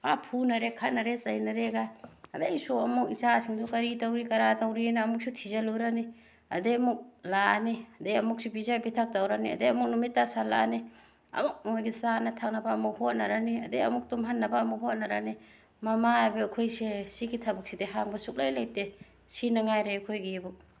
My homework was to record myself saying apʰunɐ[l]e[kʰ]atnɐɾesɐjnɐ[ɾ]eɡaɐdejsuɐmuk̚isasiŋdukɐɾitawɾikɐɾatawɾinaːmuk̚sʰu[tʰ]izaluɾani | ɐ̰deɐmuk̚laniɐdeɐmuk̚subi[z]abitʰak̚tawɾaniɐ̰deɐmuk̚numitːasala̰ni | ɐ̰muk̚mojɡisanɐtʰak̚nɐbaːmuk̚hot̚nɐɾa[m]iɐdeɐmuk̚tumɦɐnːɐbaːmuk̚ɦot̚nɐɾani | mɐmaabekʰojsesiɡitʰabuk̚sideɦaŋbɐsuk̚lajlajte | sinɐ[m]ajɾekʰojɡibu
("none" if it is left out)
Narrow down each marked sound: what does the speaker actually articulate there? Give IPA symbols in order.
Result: ɾ, kʰ, ɾ, tʰ, z, n, ŋ

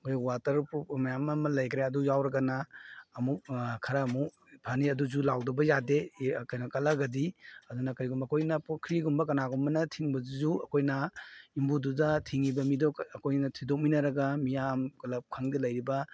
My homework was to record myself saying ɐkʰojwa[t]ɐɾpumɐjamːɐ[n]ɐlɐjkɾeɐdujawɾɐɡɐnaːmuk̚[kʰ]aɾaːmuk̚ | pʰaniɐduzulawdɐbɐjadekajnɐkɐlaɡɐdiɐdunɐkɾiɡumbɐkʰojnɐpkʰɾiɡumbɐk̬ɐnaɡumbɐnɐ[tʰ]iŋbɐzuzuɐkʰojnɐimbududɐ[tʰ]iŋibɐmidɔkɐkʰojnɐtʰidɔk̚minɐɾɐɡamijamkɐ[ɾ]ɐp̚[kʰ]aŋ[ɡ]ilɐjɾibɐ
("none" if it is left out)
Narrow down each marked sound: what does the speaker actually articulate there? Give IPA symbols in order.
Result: t, m, kʰ, tʰ, tʰ, l, kʰ, d

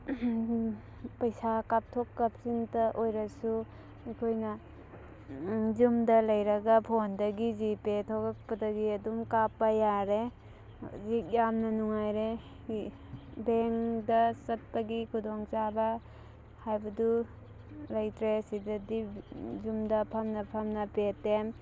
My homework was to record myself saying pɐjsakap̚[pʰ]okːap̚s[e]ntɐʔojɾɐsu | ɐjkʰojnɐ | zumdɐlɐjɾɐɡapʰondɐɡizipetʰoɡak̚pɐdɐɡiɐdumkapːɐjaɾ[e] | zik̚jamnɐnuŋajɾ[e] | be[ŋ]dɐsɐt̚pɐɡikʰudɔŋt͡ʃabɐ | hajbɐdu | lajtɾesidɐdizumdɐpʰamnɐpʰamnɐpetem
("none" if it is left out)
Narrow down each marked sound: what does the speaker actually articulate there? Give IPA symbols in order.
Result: tʰ, i, e, e, ŋ

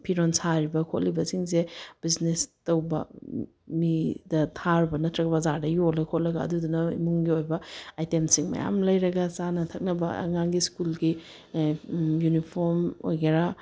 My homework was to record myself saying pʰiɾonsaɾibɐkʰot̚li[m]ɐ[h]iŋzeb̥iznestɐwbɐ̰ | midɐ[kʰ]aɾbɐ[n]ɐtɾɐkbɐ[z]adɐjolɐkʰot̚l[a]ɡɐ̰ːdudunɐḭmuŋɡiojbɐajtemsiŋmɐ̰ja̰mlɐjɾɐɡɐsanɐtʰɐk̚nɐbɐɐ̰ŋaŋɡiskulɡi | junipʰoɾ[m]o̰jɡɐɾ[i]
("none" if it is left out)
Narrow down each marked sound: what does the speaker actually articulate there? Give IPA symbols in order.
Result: b, s, tʰ, n, z, ɐ, m, a

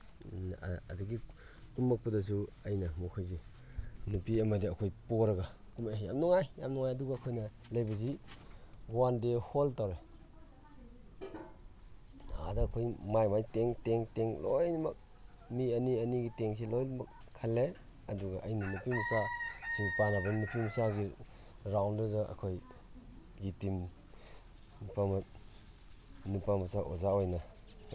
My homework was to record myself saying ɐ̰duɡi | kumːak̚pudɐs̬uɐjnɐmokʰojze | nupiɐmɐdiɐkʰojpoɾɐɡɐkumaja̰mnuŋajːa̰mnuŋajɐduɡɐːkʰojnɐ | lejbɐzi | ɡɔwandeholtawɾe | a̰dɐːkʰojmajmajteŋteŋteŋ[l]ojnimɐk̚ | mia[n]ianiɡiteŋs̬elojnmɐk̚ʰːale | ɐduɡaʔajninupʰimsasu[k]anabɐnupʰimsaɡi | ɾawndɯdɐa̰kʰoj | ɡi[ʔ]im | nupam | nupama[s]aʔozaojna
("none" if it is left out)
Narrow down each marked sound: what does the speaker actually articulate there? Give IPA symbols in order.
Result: l, n, p, t, s

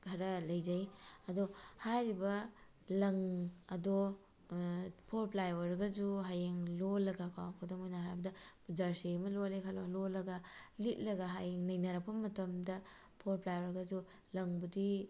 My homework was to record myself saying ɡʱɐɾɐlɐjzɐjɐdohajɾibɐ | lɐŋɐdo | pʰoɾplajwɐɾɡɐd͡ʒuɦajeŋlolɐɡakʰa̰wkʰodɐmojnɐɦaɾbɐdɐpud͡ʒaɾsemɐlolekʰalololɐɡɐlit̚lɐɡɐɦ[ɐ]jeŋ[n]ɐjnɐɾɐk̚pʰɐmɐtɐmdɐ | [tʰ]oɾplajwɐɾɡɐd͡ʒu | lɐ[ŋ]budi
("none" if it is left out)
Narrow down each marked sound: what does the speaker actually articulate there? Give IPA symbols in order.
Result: a, n, pʰ, ŋ

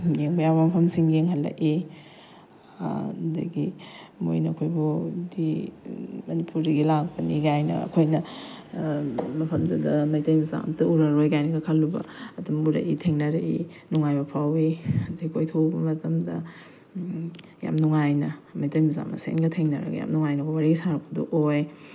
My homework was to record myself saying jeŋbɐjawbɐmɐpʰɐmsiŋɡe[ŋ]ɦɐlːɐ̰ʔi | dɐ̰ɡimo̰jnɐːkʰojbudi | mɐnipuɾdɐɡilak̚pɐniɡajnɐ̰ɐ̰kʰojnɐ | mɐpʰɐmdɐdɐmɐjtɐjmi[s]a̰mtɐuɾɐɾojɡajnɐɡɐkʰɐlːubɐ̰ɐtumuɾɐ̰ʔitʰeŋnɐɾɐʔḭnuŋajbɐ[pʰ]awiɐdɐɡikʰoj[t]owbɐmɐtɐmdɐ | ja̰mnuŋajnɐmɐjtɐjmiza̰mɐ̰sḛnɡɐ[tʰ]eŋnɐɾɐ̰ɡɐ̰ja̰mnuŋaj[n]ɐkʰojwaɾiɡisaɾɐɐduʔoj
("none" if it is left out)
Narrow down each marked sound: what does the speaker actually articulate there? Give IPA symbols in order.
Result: ŋ, z, pʰ, tʰ, tʰ, n

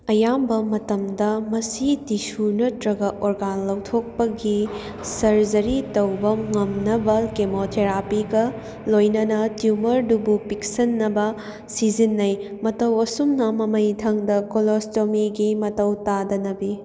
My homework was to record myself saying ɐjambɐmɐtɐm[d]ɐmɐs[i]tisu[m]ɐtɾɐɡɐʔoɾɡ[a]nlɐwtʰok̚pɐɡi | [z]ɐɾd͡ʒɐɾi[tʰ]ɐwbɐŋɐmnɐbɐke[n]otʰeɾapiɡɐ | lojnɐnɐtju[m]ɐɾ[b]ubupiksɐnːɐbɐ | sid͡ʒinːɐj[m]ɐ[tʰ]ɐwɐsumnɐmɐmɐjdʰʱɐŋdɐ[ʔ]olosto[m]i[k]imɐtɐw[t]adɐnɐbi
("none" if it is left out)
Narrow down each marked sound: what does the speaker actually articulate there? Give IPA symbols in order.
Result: d, i, n, a, s, t, m, m, d, m, t, k, m, ɡ, t

